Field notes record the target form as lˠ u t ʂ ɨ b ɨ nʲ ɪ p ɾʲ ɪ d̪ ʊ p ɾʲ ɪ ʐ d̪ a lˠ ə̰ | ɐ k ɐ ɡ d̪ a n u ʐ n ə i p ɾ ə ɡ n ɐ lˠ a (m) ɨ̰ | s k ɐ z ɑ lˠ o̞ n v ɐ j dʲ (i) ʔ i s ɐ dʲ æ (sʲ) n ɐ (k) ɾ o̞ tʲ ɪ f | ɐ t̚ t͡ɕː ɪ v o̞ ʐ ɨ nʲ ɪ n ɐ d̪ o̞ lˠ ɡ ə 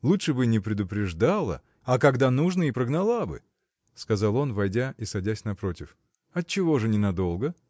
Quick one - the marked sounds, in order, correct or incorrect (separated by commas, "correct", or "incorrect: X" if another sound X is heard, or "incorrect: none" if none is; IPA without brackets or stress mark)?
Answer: incorrect: b, incorrect: a, correct, incorrect: p